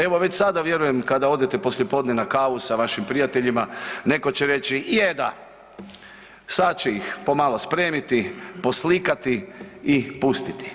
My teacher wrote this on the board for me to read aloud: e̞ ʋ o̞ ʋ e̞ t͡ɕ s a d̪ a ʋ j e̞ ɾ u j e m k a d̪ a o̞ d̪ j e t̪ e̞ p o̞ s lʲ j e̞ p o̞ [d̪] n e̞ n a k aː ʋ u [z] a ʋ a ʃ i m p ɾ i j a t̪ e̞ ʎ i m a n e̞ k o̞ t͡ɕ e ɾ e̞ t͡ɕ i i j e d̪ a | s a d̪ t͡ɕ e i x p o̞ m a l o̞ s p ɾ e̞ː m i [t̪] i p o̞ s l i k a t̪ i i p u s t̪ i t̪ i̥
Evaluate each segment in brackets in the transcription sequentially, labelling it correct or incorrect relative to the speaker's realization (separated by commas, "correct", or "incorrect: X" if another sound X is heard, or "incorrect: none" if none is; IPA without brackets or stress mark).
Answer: correct, incorrect: s, correct